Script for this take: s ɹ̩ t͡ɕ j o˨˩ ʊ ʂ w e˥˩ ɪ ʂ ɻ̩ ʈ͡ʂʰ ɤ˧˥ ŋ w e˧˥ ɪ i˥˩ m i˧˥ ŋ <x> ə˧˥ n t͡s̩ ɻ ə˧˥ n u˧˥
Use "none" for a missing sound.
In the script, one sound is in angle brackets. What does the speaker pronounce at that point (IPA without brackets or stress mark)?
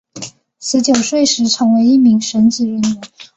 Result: ʂ